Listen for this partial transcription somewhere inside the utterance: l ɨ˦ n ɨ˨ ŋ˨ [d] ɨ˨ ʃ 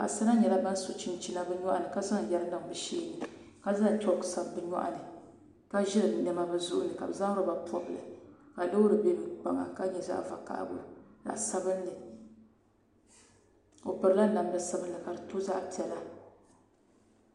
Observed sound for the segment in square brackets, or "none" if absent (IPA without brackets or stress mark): b